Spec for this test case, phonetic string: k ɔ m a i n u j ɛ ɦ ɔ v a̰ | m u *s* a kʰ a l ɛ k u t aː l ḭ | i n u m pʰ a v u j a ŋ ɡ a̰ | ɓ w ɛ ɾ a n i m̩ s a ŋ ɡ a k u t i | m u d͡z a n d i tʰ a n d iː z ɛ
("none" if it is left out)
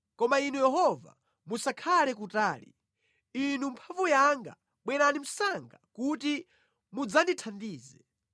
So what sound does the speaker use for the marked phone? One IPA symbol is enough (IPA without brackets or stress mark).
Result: s